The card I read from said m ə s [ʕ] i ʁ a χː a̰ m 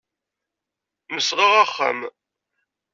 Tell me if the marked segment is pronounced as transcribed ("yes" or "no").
no